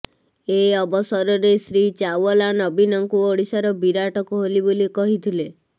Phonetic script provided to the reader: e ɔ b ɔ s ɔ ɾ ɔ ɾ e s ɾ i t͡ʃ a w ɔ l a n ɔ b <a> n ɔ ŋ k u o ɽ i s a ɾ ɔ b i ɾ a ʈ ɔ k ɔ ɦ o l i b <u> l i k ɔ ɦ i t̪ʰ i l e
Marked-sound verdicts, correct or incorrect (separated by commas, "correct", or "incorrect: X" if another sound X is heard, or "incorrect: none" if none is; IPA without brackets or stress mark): incorrect: i, incorrect: o